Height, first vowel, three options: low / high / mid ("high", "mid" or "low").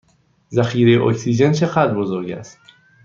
low